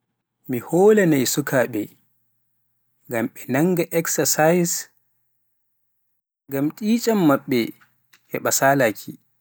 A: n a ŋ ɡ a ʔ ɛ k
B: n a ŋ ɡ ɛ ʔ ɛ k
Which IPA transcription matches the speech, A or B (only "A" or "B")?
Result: A